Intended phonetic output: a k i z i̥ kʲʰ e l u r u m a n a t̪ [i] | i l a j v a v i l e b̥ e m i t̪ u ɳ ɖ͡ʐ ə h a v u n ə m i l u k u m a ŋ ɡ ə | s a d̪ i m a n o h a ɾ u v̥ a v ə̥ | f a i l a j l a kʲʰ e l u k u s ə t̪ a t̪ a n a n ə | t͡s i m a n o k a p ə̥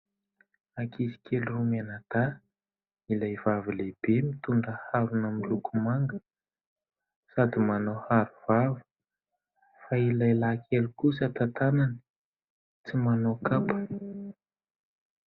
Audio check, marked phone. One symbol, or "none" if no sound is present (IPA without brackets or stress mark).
a